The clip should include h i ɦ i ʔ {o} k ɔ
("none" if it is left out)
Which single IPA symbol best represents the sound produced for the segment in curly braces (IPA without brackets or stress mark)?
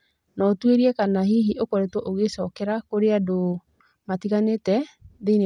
o